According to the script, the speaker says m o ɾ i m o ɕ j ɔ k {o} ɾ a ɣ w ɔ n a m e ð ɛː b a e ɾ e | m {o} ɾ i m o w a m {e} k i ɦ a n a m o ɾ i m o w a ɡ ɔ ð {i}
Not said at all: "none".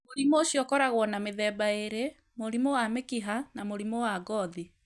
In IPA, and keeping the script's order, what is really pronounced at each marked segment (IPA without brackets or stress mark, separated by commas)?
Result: ɔ, o, e, i